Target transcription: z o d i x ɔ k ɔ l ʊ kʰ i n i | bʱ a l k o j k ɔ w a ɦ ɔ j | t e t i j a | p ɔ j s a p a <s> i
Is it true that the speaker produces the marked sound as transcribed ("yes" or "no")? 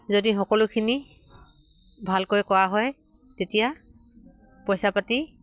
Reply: no